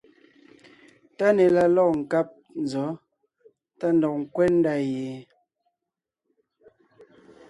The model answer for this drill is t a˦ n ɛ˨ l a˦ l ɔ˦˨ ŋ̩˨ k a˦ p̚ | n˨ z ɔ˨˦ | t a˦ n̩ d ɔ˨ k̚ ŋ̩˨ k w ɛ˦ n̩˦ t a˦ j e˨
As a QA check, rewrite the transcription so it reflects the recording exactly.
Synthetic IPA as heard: t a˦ n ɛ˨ l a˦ l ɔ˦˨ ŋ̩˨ k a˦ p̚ | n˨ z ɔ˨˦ | t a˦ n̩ d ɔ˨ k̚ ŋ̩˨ k w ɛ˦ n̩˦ d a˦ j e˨